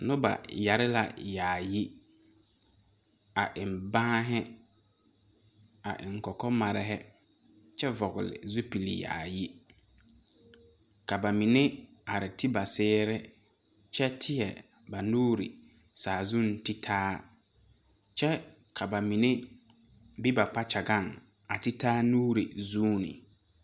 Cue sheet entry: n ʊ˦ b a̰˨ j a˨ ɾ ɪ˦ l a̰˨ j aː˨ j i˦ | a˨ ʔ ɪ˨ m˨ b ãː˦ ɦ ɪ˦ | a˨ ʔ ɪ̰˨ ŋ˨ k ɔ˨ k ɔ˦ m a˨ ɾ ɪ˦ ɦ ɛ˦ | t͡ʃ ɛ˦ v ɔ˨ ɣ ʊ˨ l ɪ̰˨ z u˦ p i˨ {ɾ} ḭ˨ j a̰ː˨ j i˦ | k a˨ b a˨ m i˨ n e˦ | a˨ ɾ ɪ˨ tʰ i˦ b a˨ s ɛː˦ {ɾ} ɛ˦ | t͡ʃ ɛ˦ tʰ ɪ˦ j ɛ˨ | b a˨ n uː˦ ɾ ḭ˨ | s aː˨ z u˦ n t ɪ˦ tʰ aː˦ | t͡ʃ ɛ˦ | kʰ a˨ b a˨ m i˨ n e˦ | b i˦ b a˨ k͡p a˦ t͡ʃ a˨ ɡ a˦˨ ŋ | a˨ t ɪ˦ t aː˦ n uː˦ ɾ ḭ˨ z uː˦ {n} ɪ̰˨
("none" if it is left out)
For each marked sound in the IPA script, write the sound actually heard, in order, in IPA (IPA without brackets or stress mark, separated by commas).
l, ɾ, n